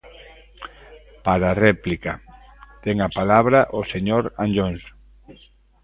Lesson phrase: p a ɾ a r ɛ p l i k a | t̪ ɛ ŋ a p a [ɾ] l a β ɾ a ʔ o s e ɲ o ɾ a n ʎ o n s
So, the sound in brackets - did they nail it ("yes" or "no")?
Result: no